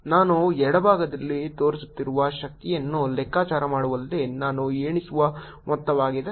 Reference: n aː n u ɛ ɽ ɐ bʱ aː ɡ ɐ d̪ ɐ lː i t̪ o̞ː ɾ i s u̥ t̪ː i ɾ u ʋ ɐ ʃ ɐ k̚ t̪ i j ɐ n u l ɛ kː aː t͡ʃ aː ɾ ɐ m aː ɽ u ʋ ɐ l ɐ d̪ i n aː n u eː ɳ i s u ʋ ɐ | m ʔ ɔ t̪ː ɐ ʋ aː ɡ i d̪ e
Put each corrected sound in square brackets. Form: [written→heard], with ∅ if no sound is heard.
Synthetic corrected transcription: n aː n u ɛ ɽ ɐ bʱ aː ɡ ɐ d̪ ɐ lː i t̪ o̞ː ɾ i s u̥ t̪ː i ɾ u ʋ ɐ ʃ ɐ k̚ t̪ i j ɐ [n→nː] u l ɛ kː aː t͡ʃ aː ɾ ɐ m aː ɽ u ʋ ɐ l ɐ d̪ [i→e] n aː n u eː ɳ i s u ʋ ɐ | m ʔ ɔ t̪ː ɐ ʋ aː ɡ i d̪ e